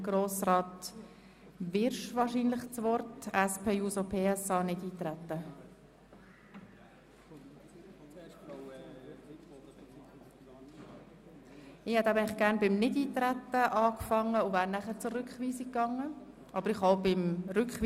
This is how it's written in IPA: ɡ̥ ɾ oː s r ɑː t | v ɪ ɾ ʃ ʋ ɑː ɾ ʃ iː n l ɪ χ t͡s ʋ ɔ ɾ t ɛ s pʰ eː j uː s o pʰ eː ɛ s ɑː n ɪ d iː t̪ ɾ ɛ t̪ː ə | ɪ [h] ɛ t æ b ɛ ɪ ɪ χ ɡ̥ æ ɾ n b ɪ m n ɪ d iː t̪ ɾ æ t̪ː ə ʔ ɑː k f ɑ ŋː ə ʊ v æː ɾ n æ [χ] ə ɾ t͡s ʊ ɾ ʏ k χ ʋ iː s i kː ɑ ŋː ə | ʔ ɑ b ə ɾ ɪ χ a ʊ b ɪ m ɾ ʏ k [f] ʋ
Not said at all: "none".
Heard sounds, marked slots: h, χ, χ

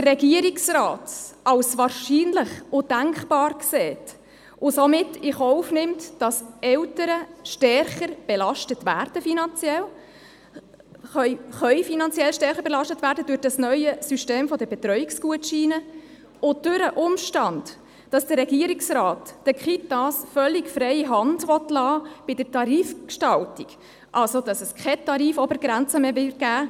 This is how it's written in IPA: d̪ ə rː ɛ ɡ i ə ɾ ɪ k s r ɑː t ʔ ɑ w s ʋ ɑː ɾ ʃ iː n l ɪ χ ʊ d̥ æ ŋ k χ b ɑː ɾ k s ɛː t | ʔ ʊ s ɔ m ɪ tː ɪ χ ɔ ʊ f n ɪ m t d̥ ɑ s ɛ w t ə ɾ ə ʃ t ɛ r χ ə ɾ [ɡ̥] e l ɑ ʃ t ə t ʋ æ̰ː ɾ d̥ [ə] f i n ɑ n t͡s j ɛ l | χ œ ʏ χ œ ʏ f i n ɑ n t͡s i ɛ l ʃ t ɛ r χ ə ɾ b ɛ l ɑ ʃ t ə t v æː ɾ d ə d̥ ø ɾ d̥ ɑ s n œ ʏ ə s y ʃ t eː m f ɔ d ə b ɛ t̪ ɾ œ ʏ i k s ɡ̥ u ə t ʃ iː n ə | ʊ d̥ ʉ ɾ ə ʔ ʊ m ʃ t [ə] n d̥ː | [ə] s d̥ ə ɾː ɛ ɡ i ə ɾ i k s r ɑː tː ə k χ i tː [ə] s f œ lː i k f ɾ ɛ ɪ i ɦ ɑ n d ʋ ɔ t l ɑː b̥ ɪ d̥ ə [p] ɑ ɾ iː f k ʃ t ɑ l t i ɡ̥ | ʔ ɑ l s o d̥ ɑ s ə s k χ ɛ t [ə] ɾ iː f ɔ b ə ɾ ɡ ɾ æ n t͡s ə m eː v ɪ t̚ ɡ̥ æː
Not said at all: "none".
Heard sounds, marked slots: b̥, ə, ɑ, ɑ, ɑ, t, ɑ

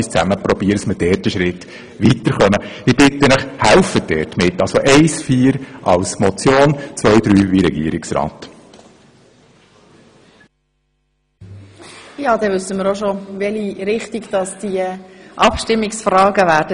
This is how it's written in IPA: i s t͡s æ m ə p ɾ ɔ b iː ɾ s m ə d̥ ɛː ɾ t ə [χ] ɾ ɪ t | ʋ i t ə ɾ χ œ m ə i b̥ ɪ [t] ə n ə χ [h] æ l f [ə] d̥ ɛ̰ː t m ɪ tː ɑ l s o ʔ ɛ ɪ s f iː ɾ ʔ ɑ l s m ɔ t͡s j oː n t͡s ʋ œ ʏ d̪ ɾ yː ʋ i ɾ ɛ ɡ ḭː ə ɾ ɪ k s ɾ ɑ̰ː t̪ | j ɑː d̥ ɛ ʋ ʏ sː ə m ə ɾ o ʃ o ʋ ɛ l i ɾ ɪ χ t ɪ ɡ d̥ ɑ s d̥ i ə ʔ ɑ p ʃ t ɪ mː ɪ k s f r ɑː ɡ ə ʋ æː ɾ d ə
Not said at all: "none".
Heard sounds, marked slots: ʃ, t, h, ə

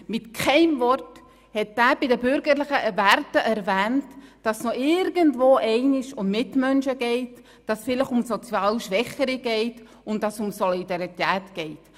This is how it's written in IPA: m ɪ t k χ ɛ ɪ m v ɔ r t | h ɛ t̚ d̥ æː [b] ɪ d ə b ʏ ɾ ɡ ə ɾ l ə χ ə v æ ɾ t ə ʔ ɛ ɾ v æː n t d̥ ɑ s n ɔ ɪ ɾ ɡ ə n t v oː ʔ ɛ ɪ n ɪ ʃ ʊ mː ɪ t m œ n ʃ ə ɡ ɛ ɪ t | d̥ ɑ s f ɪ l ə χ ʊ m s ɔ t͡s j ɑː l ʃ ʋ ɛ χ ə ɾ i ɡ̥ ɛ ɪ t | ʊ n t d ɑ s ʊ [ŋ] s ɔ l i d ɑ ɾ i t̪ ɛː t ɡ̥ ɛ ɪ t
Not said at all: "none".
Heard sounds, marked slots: b, m

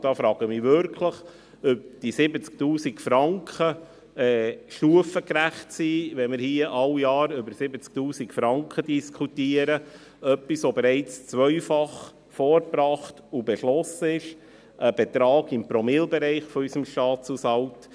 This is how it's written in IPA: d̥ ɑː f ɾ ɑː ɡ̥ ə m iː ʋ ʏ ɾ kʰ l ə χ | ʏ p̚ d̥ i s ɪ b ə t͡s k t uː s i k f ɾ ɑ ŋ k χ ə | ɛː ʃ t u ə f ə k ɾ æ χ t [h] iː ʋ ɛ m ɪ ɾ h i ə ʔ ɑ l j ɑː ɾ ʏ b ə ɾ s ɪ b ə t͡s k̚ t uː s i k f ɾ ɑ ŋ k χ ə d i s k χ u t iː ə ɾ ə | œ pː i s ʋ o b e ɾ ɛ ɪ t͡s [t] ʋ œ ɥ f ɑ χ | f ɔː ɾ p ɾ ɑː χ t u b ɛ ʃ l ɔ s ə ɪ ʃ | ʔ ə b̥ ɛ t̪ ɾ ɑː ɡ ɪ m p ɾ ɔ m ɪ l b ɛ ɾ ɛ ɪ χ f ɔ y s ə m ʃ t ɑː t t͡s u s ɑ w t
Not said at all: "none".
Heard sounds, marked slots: s, t͡s

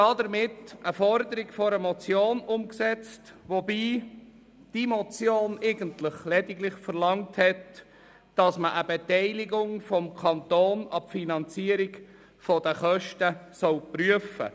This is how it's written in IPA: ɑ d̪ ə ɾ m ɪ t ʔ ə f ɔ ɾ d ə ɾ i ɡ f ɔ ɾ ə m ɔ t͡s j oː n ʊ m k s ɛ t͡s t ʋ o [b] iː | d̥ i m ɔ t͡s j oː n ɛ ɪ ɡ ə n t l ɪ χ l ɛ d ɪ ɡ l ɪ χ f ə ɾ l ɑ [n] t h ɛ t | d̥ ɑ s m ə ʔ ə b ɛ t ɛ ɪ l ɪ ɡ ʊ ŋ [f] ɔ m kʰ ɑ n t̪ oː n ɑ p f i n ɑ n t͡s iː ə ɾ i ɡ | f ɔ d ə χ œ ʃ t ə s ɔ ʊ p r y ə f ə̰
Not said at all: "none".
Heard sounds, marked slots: b, ŋ, f

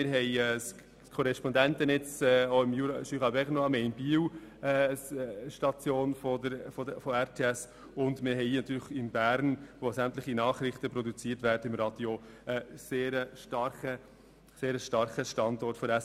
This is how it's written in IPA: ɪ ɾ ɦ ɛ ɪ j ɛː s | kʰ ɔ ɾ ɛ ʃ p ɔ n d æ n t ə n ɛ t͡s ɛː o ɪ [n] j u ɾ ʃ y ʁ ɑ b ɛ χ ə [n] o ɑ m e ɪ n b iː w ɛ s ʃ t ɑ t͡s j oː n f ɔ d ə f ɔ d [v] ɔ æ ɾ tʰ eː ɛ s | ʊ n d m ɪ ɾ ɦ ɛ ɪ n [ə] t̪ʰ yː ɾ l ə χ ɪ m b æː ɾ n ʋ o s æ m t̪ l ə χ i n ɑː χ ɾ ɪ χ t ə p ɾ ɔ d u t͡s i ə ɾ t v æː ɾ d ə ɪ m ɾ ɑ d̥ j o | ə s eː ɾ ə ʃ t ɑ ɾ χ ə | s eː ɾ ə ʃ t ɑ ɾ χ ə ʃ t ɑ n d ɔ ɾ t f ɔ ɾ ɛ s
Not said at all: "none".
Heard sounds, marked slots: m, n, f, ɑ

